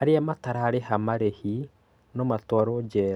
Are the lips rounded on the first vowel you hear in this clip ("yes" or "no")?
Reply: no